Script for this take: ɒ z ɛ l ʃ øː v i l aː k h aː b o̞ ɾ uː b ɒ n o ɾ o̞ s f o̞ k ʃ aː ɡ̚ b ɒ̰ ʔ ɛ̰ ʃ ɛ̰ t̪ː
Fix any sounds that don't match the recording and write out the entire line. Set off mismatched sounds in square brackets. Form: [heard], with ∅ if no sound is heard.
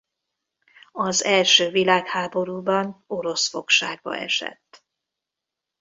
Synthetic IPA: ɒ z ɛ l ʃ øː v i l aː k h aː b o̞ ɾ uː b ɒ n o ɾ o̞ s f o̞ k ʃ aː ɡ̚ b ɒ̰ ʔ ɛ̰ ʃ ɛ̰ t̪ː